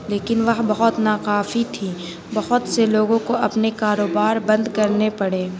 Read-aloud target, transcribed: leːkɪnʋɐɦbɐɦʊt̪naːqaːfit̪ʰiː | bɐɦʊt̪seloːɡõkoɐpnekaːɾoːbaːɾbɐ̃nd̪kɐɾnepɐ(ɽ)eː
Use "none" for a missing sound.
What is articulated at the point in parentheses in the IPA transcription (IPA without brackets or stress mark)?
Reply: ɽ